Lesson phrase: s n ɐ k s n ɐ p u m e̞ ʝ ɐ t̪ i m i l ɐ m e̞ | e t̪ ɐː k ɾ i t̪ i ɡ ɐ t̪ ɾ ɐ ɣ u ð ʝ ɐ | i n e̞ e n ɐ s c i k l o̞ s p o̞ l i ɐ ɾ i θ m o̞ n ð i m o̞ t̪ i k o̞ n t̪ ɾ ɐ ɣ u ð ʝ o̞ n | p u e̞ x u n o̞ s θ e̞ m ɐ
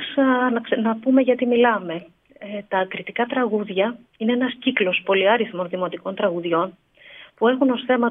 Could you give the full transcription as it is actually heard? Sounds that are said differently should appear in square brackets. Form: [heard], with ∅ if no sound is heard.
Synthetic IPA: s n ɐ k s n ɐ p u m e̞ ʝ ɐ t̪ i m i l ɐ m e̞ | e t̪ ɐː k ɾ i t̪ i [k] ɐ t̪ ɾ ɐ ɣ u ð ʝ ɐ | i n e̞ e n ɐ s c i k l o̞ s p o̞ l i ɐ ɾ i θ m o̞ n ð i m o̞ t̪ i k o̞ n t̪ ɾ ɐ ɣ u ð ʝ o̞ n | p u e̞ x u n o̞ s θ e̞ m ɐ